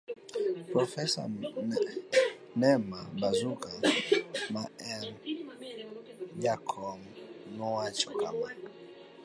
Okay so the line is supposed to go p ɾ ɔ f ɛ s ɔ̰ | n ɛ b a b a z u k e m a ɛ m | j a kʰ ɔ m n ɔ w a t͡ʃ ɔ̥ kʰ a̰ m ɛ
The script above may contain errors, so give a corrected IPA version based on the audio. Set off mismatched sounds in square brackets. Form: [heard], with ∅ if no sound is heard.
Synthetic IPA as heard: p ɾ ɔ f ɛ s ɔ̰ | n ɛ [m] a b a z u k [a] m a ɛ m | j a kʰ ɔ m n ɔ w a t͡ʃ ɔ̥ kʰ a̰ m [a]